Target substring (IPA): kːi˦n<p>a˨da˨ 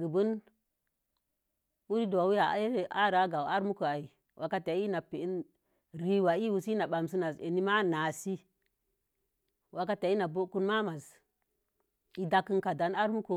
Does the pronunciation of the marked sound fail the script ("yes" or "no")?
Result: yes